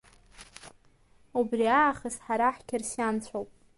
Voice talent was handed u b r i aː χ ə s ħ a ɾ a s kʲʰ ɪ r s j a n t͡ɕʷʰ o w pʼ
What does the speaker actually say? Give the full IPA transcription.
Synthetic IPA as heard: u b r i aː χ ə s ħ a ɾ a ħ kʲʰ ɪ r s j a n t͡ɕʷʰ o w pʼ